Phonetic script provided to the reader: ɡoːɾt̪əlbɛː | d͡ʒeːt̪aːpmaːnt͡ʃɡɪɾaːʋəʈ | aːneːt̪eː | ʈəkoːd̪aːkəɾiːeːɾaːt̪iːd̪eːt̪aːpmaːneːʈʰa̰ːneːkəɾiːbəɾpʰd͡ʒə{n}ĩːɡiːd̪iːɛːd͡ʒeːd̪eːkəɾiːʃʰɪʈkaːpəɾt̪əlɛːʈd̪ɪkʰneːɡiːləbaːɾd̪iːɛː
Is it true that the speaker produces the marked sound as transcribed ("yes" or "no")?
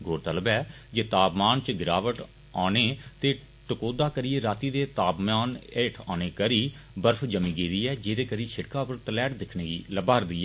no